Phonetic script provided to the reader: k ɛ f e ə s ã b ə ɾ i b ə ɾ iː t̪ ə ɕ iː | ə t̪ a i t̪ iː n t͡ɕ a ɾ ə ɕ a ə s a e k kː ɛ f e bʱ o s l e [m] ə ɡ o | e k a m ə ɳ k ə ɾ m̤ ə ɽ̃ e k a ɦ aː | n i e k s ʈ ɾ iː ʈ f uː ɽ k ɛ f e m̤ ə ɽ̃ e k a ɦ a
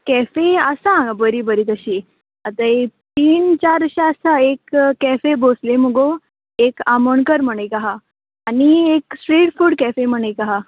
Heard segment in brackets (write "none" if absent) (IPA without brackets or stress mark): m